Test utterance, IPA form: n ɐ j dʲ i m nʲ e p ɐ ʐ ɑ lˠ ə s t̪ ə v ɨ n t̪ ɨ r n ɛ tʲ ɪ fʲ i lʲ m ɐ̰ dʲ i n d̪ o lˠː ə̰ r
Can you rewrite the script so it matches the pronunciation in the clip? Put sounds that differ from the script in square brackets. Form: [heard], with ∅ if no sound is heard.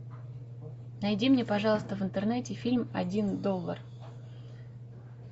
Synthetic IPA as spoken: n ɐ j dʲ i m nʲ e p ɐ ʐ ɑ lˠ ə s t̪ ə v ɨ n t̪ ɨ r n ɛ tʲ ɪ fʲ i lʲ m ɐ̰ dʲ i n d̪ o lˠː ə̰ r